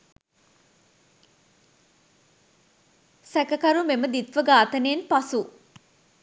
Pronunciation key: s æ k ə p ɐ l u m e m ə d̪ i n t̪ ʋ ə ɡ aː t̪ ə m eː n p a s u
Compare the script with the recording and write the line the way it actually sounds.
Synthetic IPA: s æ k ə k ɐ ɾ u m e m ə d̪ i t̪ ʋ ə ɡ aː t̪ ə n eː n p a s u